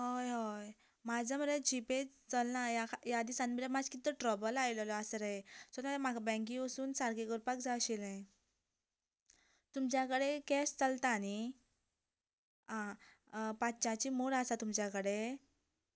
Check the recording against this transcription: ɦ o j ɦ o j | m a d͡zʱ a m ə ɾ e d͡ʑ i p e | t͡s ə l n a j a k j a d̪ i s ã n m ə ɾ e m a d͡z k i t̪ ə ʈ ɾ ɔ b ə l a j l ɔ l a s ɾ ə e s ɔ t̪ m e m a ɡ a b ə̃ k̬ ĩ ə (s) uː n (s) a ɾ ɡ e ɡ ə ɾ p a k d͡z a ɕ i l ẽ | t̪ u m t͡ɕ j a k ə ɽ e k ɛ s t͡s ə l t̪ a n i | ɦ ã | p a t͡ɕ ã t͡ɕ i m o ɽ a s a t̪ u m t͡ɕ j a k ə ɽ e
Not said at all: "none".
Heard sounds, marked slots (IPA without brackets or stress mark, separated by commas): s, s